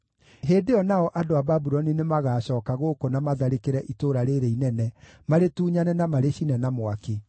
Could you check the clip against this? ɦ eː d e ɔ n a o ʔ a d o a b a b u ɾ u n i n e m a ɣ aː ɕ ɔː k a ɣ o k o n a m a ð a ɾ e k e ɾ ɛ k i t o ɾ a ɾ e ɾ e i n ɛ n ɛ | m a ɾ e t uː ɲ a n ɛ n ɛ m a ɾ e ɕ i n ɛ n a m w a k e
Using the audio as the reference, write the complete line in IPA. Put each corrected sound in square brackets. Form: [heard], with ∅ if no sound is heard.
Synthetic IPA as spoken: ɦ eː d e ɔ n a [ɔ] ʔ a d o a b a b u ɾ [ɔ] n i n e m a ɣ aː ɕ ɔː k a ɣ o k o n a m a ð a ɾ e k e ɾ ɛ [ʔ] i t o ɾ a ɾ e ɾ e i n ɛ n ɛ | m a ɾ e t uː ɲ a n ɛ n [a] m a ɾ e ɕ i n ɛ n a m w a k e